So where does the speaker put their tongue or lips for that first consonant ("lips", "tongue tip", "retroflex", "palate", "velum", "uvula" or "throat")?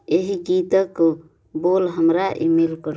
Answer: throat